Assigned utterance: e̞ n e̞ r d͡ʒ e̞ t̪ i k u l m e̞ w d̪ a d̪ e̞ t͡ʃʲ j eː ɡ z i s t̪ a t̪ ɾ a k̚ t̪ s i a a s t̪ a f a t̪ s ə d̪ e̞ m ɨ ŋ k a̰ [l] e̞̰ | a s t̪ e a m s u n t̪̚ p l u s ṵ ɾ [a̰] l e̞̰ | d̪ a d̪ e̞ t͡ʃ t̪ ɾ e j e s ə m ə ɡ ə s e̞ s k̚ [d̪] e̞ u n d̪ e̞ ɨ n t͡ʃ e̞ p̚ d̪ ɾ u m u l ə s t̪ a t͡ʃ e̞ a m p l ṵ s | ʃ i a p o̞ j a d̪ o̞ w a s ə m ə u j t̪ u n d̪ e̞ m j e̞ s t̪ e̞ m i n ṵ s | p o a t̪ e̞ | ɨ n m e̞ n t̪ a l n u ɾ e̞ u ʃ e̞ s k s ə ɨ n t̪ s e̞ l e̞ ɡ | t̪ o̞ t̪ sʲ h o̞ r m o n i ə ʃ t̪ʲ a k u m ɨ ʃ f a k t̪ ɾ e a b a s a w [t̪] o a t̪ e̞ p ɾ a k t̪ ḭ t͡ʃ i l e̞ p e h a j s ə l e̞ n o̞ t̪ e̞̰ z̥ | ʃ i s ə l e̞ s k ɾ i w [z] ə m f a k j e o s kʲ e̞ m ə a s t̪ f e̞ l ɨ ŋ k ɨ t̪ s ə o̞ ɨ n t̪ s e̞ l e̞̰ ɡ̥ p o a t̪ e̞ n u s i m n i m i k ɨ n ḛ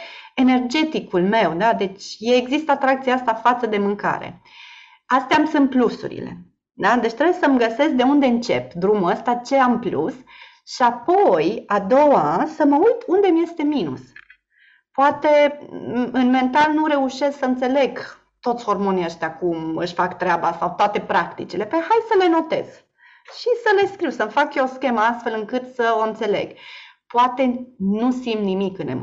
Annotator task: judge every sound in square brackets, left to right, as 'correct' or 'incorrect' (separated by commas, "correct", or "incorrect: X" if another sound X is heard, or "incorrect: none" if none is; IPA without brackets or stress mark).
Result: incorrect: ɾ, incorrect: ḭ, correct, correct, incorrect: s